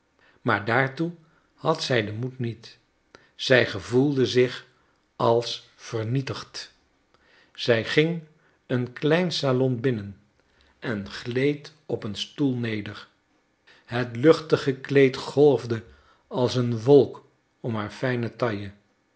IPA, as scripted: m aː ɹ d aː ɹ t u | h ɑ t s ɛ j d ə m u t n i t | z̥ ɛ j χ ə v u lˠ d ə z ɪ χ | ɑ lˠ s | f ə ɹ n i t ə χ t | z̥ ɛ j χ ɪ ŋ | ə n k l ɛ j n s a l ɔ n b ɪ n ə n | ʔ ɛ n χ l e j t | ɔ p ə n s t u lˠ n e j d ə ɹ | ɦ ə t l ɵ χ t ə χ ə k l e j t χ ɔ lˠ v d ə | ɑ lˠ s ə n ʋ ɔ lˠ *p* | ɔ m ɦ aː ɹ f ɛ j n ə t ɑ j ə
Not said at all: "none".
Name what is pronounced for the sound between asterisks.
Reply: k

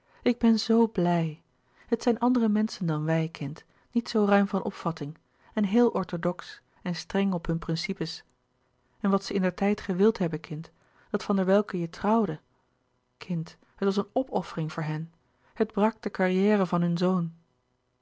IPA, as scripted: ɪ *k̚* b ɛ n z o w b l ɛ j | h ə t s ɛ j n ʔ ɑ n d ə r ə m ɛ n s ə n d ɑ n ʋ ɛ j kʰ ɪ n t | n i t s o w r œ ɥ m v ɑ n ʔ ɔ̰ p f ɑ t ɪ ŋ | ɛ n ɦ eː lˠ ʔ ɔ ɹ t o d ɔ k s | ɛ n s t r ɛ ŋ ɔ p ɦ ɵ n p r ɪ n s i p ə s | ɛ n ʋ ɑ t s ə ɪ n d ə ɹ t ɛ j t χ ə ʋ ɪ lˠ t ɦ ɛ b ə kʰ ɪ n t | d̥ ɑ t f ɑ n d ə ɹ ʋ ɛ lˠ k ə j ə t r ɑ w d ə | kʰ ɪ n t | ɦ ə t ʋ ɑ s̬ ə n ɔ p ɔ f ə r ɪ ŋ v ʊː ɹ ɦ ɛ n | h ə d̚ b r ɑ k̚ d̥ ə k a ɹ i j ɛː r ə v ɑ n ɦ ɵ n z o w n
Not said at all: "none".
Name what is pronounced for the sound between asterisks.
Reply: ɡ̚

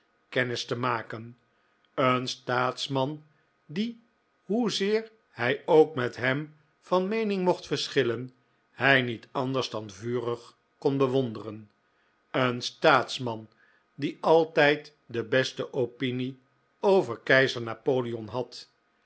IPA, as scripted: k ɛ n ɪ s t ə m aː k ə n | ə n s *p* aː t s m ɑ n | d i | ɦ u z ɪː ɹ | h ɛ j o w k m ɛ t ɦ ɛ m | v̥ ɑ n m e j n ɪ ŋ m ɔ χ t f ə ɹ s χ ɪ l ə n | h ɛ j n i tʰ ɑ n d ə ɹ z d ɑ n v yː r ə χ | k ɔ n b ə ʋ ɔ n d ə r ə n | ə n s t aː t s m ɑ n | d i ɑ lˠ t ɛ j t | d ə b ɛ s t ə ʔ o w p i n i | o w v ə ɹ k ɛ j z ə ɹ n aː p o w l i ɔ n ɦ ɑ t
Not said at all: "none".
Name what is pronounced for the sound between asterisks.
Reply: t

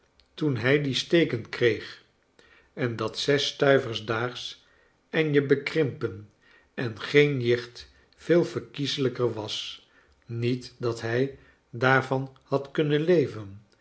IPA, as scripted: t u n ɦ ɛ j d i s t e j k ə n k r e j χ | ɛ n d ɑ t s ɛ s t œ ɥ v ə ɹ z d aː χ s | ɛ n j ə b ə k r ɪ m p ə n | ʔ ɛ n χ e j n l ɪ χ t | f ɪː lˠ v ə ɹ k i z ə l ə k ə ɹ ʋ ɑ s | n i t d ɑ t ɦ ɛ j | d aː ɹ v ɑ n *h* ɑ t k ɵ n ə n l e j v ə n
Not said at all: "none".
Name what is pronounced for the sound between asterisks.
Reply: h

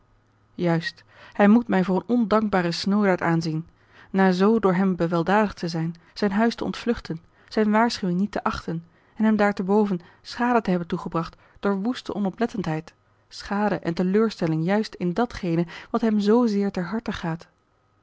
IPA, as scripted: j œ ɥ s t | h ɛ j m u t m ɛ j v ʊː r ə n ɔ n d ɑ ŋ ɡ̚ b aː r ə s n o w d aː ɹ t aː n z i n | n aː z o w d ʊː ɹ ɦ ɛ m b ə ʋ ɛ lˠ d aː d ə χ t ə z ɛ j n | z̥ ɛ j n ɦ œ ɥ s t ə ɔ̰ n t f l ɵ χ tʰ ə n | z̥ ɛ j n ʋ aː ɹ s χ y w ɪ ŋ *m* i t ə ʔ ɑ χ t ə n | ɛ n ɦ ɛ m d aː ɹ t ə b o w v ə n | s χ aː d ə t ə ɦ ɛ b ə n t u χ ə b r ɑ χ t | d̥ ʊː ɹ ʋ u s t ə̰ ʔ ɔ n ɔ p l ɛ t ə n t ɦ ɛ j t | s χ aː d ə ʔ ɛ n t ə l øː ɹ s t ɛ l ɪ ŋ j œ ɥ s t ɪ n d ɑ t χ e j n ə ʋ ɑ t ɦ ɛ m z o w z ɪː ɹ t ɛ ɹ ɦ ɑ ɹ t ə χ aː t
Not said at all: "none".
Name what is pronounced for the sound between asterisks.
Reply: n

